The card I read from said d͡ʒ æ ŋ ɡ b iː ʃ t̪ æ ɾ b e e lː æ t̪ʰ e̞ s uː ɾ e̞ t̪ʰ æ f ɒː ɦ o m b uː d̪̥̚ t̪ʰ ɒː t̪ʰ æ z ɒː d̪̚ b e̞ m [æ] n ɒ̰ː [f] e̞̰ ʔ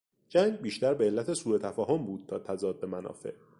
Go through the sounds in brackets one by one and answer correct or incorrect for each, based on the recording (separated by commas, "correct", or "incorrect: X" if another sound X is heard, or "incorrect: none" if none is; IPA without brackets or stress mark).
correct, correct